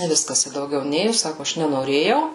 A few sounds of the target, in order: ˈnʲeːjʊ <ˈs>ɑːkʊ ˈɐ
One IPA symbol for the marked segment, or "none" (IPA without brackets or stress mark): s